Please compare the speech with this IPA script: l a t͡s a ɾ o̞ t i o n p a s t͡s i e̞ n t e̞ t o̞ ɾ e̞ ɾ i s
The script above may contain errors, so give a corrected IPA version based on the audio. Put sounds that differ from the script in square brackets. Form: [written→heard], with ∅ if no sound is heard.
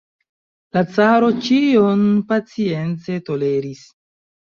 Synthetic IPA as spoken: l a t͡s a ɾ o̞ [t→t͡ʃ] i o n p a [s→∅] t͡s i e̞ n [t→t͡s] e̞ t o̞ [ɾ→l] e̞ ɾ i s